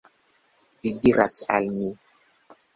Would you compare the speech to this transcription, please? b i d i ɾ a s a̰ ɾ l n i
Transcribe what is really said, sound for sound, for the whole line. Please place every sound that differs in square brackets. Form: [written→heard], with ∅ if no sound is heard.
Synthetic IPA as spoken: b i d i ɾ a s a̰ [ɾ→∅] l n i